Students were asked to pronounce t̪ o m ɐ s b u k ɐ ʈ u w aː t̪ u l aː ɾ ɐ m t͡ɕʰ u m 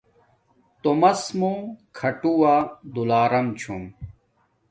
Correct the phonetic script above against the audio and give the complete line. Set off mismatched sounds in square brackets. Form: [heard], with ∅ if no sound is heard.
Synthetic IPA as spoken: t̪ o m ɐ s [m] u [kʰ] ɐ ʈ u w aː [d̪] u l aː ɾ ɐ m t͡ɕʰ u m

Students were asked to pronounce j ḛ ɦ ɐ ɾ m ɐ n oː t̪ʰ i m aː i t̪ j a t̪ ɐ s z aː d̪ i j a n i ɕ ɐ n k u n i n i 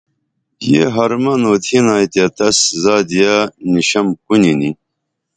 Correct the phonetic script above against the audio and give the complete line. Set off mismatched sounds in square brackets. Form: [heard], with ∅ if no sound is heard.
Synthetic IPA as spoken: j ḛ ɦ ɐ ɾ m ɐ n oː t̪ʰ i [n] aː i t̪ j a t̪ ɐ s z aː d̪ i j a n i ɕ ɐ [m] k u n i n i

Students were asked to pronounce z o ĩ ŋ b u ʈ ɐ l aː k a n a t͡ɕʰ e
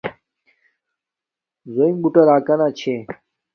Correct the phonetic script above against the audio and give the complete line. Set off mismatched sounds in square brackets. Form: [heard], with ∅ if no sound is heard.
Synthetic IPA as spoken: z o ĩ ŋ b u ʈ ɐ [ɾ] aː k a n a t͡ɕʰ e

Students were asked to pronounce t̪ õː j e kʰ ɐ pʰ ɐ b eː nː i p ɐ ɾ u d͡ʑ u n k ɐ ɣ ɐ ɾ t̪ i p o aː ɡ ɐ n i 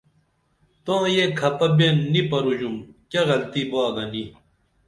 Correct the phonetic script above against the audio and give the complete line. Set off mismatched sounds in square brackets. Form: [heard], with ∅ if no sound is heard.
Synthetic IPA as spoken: t̪ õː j e kʰ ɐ [p] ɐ b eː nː i p ɐ ɾ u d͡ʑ u [m] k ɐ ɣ ɐ [l] t̪ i [b] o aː ɡ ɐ n i

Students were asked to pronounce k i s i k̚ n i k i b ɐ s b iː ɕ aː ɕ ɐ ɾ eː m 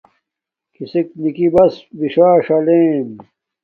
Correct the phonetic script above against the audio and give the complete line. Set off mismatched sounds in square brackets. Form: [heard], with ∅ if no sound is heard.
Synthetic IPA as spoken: k i s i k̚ n i k i b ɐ s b [i] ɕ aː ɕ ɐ [l] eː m

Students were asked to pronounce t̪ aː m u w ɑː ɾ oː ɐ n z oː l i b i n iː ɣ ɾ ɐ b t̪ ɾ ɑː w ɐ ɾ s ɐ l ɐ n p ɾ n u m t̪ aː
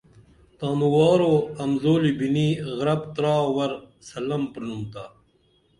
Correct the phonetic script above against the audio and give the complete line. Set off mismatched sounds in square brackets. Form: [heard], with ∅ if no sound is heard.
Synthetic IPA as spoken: t̪ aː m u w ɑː ɾ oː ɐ [m] z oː l i b i n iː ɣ ɾ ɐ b t̪ ɾ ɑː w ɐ ɾ s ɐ l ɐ [m] p ɾ n u m t̪ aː

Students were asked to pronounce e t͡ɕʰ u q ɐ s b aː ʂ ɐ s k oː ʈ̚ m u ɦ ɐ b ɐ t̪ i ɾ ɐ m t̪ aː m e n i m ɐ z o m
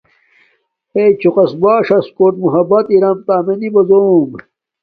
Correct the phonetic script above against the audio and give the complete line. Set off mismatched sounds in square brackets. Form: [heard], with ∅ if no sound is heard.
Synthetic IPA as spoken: e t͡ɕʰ u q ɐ s b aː ʂ ɐ s k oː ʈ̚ m u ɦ ɐ b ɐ t̪ i ɾ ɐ m t̪ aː m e n i [b] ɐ z o m

